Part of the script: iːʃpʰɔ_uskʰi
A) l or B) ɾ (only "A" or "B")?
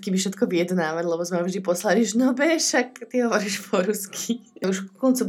B